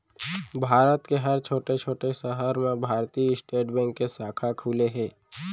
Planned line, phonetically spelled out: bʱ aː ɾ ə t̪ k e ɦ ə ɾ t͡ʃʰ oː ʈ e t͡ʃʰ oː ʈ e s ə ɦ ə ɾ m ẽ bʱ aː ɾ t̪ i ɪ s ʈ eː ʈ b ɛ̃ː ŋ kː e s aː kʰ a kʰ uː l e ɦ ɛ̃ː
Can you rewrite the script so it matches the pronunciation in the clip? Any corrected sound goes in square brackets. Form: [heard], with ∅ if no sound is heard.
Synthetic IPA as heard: bʱ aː ɾ ə t̪ k e ɦ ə ɾ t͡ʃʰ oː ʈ e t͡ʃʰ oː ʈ e s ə ɦ ə ɾ m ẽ bʱ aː ɾ t̪ i ɪ s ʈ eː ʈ b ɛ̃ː ŋ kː e s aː kʰ a kʰ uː l e ɦ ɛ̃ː

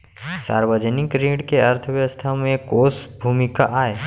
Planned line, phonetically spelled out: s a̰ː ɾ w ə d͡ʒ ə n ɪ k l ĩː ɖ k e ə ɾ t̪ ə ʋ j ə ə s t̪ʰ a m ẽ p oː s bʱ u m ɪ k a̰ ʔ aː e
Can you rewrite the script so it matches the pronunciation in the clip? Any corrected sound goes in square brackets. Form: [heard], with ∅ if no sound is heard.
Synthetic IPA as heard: s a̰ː ɾ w ə d͡ʒ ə n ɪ k [ɾ] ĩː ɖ k e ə ɾ [t̪ʰ] ə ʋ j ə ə s t̪ʰ a m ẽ [k] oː s bʱ u m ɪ k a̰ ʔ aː e

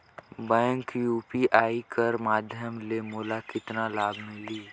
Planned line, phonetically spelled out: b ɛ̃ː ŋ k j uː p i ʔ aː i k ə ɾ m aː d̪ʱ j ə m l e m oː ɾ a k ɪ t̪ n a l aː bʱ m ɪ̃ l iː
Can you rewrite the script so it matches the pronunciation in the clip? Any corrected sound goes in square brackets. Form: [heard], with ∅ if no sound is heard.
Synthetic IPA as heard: b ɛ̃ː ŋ k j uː p i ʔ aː i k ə ɾ m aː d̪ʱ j ə m l e m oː [l] a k ɪ t̪ n a l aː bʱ m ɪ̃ l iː

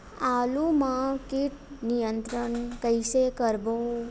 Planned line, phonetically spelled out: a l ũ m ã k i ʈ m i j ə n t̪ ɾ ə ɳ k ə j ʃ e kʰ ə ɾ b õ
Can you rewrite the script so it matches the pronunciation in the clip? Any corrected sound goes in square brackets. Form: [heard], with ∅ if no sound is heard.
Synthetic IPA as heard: a l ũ m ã k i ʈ [n] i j ə n t̪ ɾ ə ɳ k ə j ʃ e [k] ə ɾ b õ

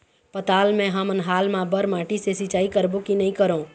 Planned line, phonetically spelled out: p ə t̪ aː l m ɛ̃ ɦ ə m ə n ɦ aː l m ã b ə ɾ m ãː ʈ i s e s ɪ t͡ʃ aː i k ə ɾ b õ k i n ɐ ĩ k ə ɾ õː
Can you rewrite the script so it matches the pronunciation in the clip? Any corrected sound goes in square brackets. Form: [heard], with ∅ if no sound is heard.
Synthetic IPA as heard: p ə t̪ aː l m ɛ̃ ɦ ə m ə n ɦ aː l m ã b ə ɾ m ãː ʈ i s e s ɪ t͡ʃ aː i k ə ɾ b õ k i n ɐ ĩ k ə ɾ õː

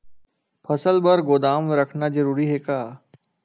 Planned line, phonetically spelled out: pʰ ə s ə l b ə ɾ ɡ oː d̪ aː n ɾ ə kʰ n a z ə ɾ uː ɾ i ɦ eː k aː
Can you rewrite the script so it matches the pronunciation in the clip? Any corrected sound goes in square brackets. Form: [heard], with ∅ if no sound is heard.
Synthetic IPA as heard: pʰ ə s ə l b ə ɾ ɡ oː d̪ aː [m] ɾ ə kʰ n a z ə ɾ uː ɾ i ɦ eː k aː

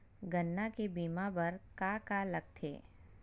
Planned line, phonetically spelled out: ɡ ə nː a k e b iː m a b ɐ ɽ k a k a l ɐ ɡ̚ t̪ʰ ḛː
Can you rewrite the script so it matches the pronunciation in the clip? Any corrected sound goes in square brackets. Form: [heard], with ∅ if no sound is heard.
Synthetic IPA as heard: ɡ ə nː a k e b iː m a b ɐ [ɾ] k a k a l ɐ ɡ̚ t̪ʰ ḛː

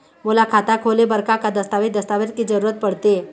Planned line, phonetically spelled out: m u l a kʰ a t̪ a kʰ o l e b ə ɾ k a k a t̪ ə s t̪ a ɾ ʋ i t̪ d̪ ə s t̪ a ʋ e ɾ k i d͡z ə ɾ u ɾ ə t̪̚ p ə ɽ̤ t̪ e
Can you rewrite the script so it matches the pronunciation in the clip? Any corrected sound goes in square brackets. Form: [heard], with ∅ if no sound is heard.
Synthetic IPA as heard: m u l a kʰ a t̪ a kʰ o l e b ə ɾ k a k a [d̪] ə s t̪ a [∅] ʋ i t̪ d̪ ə s t̪ a ʋ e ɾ k i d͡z ə ɾ u ɾ ə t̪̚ p ə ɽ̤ t̪ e

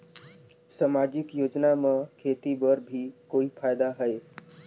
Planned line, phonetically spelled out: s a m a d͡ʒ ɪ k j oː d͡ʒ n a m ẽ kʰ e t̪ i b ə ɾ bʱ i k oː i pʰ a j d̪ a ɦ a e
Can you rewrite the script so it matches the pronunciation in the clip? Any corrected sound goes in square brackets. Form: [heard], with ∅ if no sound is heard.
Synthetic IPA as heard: s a m a d͡ʒ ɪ k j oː d͡ʒ n a m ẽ kʰ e t̪ i b ə ɾ bʱ i k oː i pʰ a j d̪ a ɦ [ə] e

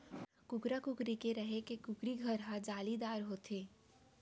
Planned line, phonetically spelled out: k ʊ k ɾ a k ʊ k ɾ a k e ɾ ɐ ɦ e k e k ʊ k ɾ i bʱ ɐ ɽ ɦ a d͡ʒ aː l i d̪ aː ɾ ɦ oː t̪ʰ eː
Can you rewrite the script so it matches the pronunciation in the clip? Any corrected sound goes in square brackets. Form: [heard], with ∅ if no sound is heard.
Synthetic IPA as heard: k ʊ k ɾ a k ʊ k ɾ [i] k e ɾ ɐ ɦ e k e k ʊ k ɾ i [ɡʱ] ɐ [ɾ] ɦ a d͡ʒ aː l i d̪ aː ɾ ɦ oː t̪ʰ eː

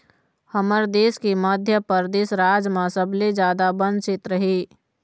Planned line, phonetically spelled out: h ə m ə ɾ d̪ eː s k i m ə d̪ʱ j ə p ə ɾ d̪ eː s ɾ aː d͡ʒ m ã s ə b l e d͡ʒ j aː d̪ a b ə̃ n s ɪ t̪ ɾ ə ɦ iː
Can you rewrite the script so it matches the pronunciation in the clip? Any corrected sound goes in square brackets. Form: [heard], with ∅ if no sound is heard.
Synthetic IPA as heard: h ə m ə ɾ d̪ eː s k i m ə d̪ʱ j ə p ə ɾ d̪ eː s ɾ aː d͡ʒ m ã s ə b l e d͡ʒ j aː d̪ a b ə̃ n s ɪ t̪ ɾ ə ɦ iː

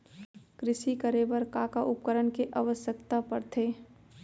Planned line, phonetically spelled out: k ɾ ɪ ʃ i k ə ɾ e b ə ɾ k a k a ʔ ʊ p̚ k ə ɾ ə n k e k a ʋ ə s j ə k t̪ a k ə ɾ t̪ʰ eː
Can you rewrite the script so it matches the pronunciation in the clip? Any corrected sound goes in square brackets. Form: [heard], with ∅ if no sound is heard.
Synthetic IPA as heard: k ɾ ɪ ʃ i k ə ɾ e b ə ɾ k a k a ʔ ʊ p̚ k ə ɾ ə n k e [ʔ] a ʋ ə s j ə k t̪ a [p] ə ɾ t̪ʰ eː

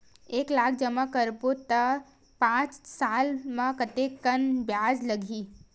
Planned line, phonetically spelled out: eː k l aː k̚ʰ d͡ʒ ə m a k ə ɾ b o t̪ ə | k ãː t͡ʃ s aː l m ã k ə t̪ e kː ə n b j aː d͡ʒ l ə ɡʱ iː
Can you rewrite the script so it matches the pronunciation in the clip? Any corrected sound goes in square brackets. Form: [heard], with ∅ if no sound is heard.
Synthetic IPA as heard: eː k l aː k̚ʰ d͡ʒ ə m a k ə ɾ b o t̪ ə | [p] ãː t͡ʃ s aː l m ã k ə t̪ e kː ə n b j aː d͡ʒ l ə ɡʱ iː

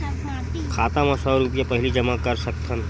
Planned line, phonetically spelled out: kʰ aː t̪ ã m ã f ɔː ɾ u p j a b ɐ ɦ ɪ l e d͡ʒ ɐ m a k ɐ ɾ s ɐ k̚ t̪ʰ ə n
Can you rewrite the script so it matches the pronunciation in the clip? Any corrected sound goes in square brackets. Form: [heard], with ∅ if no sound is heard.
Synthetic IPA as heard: kʰ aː t̪ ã m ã [s] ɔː ɾ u p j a [p] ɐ ɦ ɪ l [i] d͡ʒ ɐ m a k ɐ ɾ s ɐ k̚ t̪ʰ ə n

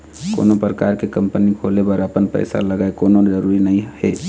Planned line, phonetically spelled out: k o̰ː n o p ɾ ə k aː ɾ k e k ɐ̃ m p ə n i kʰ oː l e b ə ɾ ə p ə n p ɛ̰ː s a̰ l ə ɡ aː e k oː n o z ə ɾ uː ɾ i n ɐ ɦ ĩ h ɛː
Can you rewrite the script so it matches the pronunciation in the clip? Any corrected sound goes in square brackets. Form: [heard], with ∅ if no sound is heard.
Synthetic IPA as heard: k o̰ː n o p ɾ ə k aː ɾ k e k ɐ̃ m p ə n i kʰ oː l e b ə ɾ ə p ə n p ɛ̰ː s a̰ l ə ɡ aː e k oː n o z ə ɾ uː ɾ i n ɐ ɦ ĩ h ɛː

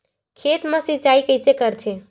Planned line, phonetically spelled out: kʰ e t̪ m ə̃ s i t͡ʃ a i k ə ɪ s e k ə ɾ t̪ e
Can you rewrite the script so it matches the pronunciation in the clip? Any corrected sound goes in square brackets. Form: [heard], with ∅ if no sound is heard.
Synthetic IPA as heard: kʰ e t̪ m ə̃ s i t͡ʃ a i k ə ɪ s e k ə ɾ [t̪ʰ] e

